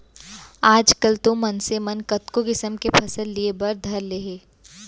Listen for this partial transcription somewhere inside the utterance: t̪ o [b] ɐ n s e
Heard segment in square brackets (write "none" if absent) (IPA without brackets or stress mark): m